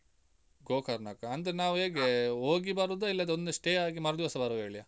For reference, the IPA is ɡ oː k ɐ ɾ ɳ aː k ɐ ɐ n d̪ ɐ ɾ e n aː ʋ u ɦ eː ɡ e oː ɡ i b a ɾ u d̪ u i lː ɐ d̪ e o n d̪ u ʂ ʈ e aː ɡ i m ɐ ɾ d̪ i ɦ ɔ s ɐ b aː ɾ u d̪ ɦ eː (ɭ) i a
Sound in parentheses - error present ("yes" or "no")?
no